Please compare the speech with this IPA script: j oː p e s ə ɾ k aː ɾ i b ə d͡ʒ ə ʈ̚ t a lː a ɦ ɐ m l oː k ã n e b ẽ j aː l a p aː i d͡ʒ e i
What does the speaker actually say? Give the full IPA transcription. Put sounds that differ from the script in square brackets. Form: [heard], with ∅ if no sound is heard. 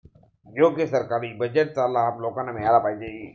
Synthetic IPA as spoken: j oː [k] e s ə ɾ k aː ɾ i b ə d͡ʒ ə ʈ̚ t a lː a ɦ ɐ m l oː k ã n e [m] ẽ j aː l a p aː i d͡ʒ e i